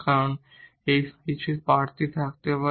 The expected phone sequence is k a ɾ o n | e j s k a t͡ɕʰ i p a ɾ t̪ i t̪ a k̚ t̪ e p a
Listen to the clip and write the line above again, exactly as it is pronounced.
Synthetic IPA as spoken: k a ɾ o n | e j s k i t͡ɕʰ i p a ɾ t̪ i t̪ʰ a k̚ t̪ e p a